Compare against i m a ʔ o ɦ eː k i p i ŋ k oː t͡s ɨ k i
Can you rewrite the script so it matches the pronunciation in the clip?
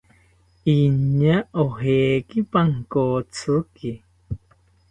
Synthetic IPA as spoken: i ɲ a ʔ o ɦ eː k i p a ŋ k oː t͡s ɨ k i